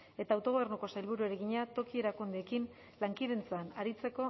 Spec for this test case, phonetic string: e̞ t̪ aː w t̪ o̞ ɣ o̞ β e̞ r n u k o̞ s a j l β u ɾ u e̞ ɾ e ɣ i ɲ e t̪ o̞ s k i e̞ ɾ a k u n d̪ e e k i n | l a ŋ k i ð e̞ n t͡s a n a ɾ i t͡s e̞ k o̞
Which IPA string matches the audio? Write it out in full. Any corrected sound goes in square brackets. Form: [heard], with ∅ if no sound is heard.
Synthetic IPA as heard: e̞ t̪ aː w t̪ o̞ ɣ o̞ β e̞ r n u k o̞ s a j l β u ɾ u e̞ ɾ e ɣ i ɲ [a] t̪ o̞ [∅] k i e̞ ɾ a k u n d̪ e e k i n | l a ŋ k i ð e̞ n t͡s a n a ɾ i t͡s e̞ k o̞